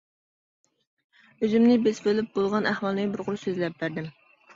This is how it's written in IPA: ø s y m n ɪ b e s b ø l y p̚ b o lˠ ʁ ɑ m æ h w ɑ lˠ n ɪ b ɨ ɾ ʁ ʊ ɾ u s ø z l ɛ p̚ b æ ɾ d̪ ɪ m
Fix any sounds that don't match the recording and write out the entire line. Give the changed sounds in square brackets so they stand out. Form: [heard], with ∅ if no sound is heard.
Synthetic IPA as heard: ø [z] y m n ɪ b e s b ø l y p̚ b o lˠ ʁ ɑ [n] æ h w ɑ lˠ n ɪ b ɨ ɾ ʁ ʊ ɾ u s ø z l ɛ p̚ b æ ɾ d̪ ɪ m